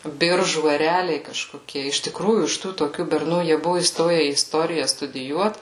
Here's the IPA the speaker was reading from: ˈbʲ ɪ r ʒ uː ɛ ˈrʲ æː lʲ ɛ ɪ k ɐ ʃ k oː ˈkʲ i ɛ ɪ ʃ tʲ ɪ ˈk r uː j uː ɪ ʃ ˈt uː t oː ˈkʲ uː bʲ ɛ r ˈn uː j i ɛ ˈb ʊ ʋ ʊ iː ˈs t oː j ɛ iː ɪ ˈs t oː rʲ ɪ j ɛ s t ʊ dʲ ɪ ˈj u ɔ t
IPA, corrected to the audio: ˈbʲ ɪ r ʒ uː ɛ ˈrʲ æː lʲ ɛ ɪ k ɐ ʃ k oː ˈkʲ i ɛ ɪ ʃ tʲ ɪ ˈk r uː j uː ɪ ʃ ˈt uː t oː ˈkʲ uː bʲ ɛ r ˈn uː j i ɛ ˈb ʊ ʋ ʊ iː ˈs t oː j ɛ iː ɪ ˈs t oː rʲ ɪ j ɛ s t ʊ dʲ ɪ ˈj u ɔ t